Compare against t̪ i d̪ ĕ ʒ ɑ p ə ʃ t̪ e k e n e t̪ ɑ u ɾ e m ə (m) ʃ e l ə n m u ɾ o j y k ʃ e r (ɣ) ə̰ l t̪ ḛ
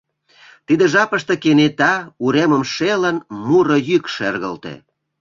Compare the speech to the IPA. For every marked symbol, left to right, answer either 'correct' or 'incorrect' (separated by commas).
correct, correct